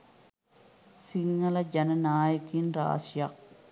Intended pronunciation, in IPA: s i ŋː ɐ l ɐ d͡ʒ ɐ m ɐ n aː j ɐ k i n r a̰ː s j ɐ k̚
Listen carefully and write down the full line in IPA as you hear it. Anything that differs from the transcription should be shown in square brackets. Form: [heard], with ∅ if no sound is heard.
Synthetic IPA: s i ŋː ɐ l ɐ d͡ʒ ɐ [n] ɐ n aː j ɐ k i n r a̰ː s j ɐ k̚